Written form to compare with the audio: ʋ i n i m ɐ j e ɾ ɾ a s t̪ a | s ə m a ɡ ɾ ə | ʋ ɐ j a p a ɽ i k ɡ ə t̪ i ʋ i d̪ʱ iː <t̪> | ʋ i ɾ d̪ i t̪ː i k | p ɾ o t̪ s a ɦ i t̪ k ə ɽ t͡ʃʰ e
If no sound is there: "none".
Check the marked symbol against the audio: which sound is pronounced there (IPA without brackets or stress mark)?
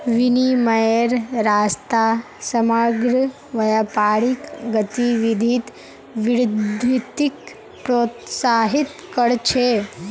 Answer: t̪